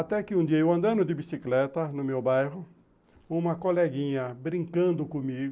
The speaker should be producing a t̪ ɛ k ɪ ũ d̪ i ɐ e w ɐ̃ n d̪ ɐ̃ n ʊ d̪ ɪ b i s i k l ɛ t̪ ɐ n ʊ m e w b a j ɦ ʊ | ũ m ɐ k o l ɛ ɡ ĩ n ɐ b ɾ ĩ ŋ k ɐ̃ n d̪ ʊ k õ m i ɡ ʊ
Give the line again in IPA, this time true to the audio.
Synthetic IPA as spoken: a t̪ ɛ k ɪ ũ d̪ i ɐ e w ɐ̃ n d̪ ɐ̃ n ʊ d̪ ɪ b i s i k l ɛ t̪ ɐ n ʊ m e w b a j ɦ ʊ | ũ m ɐ k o l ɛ ɡ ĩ ɲ ɐ b ɾ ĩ ŋ k ɐ̃ n d̪ ʊ k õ m i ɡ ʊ